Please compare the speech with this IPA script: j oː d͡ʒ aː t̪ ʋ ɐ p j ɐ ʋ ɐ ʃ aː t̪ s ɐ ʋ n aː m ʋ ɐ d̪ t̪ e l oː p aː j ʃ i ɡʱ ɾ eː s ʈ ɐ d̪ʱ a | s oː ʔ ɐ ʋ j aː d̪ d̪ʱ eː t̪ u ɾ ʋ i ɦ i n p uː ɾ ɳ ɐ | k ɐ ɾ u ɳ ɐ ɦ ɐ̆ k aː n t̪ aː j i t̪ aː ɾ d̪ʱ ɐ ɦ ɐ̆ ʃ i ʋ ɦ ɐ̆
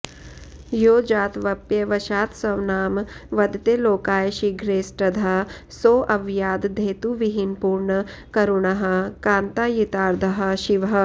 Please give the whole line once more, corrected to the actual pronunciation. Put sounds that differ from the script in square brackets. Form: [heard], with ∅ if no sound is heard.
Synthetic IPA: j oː d͡ʒ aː t̪ ʋ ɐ p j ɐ ʋ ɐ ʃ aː t̪ s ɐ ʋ n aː m ʋ ɐ d̪ t̪ e l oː [k] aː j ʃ i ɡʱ ɾ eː s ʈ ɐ d̪ʱ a | s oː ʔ ɐ ʋ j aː d̪ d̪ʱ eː t̪ u [∅] ʋ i ɦ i n p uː ɾ ɳ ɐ | k ɐ ɾ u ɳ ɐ ɦ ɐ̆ k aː n t̪ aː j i t̪ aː ɾ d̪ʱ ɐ ɦ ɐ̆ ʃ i ʋ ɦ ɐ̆

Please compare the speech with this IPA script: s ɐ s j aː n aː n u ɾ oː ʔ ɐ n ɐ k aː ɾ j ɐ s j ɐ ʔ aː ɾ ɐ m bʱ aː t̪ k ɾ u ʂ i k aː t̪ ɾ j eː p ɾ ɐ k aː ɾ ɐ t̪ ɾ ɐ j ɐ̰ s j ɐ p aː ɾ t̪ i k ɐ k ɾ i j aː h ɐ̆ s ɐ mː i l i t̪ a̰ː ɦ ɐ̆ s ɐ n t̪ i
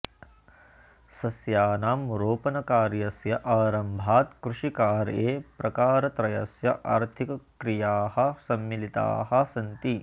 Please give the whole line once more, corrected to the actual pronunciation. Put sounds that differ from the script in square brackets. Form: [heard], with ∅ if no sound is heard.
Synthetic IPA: s ɐ s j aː n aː [m] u ɾ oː [p] ɐ n ɐ k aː ɾ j ɐ s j ɐ ʔ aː ɾ ɐ m bʱ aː t̪ k ɾ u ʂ i k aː [∅] ɾ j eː p ɾ ɐ k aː ɾ ɐ t̪ ɾ ɐ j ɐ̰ s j ɐ [ʔ] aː ɾ [t̪ʰ] i k ɐ k ɾ i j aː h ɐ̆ s ɐ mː i l i t̪ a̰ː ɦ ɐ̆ s ɐ n t̪ i

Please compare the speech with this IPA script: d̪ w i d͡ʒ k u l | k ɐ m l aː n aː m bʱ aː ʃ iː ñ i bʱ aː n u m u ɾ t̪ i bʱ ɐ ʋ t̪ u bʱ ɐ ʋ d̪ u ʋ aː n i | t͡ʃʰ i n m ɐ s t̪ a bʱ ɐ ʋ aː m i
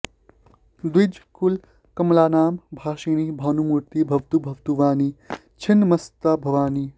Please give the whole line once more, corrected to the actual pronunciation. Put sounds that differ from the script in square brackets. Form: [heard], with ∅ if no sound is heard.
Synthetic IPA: d̪ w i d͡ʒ k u l | k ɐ m l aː n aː m bʱ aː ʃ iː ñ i bʱ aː n u m u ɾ t̪ i bʱ ɐ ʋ t̪ u bʱ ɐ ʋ [t̪] u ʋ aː n i | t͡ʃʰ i n m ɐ s t̪ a bʱ ɐ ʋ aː [n] i

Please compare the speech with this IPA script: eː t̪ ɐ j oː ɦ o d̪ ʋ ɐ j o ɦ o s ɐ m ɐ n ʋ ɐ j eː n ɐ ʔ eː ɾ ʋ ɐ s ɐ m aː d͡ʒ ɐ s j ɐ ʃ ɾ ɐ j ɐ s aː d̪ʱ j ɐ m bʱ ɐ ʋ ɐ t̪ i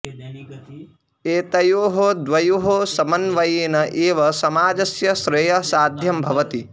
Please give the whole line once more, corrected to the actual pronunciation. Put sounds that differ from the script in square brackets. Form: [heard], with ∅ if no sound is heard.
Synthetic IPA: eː t̪ ɐ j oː ɦ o d̪ ʋ ɐ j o ɦ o s ɐ m ɐ n ʋ ɐ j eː n ɐ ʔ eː [∅] ʋ ɐ s ɐ m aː d͡ʒ ɐ s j ɐ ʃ ɾ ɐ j ɐ s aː d̪ʱ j ɐ m bʱ ɐ ʋ ɐ t̪ i

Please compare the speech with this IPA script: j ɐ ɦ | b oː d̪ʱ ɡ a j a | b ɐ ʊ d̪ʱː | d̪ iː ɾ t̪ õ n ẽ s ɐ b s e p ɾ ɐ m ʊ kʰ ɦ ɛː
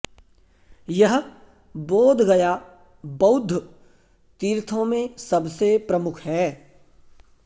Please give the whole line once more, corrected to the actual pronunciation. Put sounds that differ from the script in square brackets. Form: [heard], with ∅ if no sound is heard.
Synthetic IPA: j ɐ ɦ | b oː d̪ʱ ɡ [ɐ] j a | b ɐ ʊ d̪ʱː | [t̪] iː ɾ [t̪ʰ] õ [m] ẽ s ɐ b s e p ɾ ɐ m ʊ kʰ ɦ ɛː

